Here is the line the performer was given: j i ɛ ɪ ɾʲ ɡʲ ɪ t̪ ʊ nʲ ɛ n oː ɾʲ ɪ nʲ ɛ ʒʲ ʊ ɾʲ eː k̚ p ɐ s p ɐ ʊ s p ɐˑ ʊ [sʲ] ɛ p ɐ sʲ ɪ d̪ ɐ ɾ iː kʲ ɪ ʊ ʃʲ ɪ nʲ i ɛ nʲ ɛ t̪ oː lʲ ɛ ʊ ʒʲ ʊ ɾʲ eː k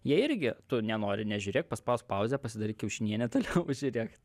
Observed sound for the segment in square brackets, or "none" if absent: zʲ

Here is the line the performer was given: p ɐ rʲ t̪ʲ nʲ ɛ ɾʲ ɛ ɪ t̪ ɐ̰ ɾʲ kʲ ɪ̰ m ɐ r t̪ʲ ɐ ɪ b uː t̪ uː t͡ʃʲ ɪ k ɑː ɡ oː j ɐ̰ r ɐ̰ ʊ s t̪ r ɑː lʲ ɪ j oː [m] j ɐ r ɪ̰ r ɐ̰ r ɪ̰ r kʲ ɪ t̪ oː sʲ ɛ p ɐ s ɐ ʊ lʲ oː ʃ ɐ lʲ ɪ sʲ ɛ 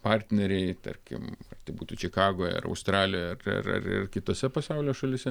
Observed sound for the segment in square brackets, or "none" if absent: none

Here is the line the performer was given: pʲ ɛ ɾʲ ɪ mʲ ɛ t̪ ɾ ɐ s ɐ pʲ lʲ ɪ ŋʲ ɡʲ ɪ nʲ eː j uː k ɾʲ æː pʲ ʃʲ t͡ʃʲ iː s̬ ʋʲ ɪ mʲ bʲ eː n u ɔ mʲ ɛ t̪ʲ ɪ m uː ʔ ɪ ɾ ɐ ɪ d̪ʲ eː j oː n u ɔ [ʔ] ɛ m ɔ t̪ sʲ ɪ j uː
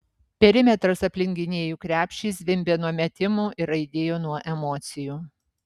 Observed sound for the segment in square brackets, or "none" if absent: ʔ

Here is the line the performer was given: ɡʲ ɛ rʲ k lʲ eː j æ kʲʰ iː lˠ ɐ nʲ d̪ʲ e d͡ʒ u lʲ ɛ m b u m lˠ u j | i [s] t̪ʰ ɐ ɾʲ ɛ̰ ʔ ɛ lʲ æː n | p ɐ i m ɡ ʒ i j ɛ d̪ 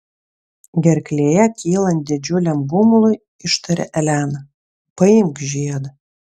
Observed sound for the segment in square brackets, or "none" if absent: ʃ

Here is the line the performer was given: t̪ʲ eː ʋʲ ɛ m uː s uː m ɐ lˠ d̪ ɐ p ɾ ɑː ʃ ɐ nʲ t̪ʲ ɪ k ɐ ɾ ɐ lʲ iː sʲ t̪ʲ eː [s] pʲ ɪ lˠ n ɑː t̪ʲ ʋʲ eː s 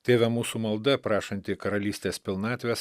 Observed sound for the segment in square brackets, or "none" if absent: s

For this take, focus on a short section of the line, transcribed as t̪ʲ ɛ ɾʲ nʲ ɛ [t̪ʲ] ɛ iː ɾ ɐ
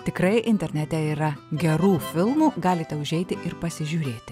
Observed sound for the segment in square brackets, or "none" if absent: t̪ʲ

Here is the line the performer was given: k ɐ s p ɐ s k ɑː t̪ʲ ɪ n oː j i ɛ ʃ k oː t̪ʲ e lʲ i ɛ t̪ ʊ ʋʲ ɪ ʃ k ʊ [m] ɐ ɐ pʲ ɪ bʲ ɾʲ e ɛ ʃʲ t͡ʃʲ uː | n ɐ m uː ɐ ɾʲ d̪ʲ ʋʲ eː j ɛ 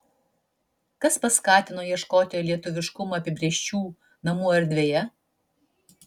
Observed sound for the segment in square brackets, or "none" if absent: m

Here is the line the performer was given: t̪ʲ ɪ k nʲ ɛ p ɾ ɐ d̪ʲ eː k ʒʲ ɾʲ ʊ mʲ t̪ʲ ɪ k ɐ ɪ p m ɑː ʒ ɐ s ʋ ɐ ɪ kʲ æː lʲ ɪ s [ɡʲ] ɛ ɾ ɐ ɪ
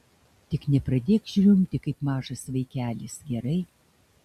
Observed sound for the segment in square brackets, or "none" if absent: ɡʲ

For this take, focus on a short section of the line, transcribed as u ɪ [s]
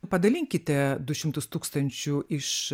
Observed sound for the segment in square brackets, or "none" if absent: ʃ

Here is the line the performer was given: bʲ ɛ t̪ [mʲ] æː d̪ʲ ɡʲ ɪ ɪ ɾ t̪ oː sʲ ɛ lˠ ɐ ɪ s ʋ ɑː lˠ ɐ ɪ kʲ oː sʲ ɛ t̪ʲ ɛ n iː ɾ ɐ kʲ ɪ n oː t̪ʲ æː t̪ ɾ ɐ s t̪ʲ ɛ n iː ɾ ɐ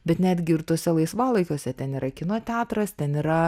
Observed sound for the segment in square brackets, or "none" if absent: nʲ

